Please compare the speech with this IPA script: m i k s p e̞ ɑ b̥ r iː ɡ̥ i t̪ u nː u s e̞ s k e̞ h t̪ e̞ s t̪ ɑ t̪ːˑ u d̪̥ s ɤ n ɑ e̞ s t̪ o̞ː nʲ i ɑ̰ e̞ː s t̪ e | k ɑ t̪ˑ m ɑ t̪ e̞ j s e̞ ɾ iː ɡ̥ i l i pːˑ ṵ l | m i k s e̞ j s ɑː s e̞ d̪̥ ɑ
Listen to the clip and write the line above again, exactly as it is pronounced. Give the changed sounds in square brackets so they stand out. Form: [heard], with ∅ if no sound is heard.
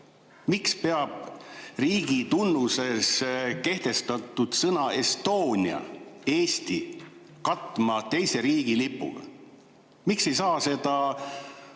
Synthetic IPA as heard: m i k s p e̞ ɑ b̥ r iː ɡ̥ i t̪ u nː u s e̞ s k e̞ h t̪ e̞ s t̪ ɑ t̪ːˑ u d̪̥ s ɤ n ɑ e̞ s t̪ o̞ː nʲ i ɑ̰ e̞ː s t̪ [i] | k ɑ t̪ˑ m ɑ t̪ e̞ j s e̞ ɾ iː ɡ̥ i l i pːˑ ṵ l | m i k s e̞ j s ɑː s e̞ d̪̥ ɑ